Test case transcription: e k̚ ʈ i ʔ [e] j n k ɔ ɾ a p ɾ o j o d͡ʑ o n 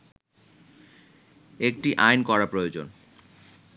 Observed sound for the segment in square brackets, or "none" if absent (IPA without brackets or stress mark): a